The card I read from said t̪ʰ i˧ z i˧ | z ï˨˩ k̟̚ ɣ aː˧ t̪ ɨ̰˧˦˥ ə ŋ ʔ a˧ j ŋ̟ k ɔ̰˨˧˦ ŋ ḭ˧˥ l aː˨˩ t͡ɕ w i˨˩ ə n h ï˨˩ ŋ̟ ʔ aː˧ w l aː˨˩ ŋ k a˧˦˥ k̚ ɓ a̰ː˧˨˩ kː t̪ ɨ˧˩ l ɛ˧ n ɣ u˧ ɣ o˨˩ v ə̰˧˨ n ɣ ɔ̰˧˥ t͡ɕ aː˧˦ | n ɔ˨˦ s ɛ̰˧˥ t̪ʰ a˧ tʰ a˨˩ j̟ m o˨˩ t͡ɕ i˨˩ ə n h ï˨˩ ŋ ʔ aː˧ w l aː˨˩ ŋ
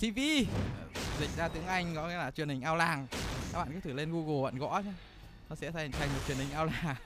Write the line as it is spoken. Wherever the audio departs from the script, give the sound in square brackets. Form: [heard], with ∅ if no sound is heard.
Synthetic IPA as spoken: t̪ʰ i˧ [v] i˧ | z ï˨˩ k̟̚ [z] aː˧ t̪ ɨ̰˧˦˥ ə ŋ ʔ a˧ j ŋ̟ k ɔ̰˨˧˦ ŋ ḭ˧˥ l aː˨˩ t͡ɕ w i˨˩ ə n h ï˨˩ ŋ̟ ʔ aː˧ w l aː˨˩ ŋ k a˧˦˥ k̚ ɓ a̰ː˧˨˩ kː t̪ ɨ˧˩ l [e˧] n ɣ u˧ ɣ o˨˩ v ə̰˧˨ n ɣ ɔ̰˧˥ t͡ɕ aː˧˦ | n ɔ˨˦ s ɛ̰˧˥ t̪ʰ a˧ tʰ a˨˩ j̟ m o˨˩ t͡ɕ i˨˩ ə n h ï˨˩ ŋ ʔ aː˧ w l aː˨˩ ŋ